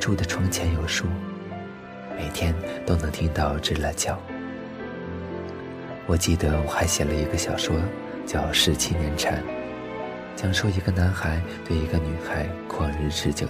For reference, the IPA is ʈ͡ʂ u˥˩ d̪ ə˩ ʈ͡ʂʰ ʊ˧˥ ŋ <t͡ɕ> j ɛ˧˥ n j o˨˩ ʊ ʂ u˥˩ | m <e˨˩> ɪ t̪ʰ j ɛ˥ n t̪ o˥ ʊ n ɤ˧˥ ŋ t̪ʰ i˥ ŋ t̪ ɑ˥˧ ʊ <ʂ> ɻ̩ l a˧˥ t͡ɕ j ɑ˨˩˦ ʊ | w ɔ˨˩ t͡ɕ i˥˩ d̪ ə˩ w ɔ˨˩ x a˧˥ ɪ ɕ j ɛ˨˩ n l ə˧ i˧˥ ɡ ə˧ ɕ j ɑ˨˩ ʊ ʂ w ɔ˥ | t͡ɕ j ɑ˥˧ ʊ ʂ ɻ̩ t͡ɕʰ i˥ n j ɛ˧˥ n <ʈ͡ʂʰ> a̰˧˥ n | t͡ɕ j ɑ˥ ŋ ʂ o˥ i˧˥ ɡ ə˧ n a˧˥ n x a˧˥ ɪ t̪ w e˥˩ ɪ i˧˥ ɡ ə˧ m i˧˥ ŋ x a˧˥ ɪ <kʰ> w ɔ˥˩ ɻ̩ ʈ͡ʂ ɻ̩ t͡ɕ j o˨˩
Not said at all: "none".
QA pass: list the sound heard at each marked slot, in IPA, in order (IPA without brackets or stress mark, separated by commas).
t͡ɕʰ, e˨˩, ʈ͡ʂ, ʈ͡ʂʰ, kʰ